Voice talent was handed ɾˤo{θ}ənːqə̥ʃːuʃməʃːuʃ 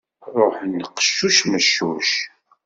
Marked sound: incorrect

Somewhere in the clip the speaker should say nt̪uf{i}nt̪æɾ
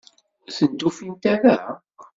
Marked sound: correct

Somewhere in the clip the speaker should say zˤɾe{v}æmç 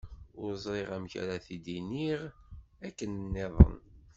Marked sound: incorrect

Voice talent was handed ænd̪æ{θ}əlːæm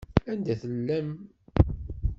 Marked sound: correct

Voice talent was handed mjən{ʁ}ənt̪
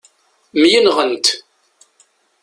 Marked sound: correct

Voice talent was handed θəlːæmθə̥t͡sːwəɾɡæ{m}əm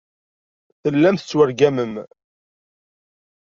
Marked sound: correct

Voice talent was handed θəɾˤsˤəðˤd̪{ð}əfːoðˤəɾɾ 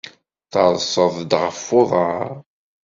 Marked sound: incorrect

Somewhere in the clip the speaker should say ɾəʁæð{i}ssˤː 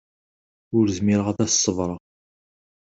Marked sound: incorrect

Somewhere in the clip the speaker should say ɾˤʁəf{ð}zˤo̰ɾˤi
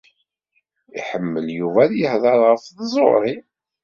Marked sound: correct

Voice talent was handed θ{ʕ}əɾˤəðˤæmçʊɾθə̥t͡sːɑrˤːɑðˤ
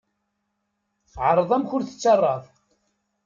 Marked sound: correct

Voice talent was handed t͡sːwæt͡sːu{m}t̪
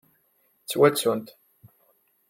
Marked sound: incorrect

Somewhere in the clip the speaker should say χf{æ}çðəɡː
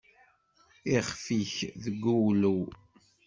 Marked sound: incorrect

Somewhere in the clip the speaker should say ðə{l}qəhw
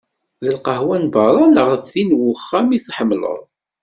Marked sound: correct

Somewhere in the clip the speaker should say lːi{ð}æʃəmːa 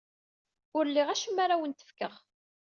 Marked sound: incorrect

